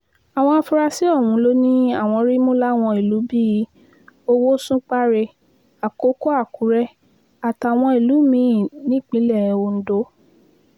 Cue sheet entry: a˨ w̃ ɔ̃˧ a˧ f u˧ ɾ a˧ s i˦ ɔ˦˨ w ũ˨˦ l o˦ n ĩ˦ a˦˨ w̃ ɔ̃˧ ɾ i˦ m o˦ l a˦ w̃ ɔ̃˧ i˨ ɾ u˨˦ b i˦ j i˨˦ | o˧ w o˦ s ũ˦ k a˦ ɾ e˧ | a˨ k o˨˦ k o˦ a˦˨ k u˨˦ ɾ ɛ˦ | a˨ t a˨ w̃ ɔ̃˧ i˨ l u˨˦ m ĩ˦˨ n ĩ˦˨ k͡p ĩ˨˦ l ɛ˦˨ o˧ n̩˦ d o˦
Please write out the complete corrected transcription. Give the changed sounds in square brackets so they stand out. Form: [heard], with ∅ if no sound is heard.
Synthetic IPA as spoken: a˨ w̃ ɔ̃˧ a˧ f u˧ ɾ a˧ s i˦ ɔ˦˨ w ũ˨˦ l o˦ n ĩ˦ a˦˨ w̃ ɔ̃˧ ɾ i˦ m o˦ l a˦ w̃ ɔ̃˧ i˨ [l] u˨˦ b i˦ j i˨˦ | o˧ w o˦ s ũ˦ [k͡p] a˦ ɾ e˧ | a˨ k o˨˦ k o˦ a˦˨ k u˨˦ ɾ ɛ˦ | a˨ t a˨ w̃ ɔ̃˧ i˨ l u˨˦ m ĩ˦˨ n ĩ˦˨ k͡p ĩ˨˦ l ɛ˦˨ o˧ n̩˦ d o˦